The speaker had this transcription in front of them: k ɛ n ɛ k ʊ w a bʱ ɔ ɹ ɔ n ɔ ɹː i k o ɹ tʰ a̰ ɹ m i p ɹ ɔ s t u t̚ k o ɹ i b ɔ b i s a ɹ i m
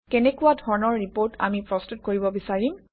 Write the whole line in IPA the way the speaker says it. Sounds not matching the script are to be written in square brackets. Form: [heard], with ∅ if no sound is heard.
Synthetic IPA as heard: k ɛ n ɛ k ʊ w a [dʱ] ɔ ɹ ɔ n ɔ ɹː i [p] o ɹ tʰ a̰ [∅] m i p ɹ ɔ s t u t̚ k o ɹ i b ɔ b i s a ɹ i m